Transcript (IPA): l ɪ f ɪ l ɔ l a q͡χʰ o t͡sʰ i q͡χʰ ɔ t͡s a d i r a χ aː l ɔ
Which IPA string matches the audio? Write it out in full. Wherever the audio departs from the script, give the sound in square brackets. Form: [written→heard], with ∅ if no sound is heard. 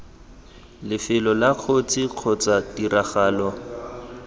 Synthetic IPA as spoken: l ɪ f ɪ l ɔ l a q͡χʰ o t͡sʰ i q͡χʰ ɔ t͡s a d i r a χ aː l ɔ